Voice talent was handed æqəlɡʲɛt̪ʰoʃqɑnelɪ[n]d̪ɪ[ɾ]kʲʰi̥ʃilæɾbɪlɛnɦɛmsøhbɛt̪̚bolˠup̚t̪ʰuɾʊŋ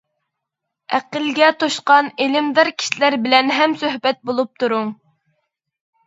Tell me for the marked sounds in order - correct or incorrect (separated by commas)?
incorrect, correct